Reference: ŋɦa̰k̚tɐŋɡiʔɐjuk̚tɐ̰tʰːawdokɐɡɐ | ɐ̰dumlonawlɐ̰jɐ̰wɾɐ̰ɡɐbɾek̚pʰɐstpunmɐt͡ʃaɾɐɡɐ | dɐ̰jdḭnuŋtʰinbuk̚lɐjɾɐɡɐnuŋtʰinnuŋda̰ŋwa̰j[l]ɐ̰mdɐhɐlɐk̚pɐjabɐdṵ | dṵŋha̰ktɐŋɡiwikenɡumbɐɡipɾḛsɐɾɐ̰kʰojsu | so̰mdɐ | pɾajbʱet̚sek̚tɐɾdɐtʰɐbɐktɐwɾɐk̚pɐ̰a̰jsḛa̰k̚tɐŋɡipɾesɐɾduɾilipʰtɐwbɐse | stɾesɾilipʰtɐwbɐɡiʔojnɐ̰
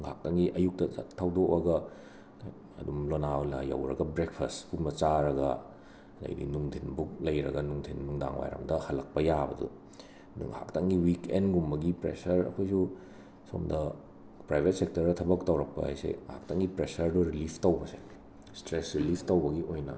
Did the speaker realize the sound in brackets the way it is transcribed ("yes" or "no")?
no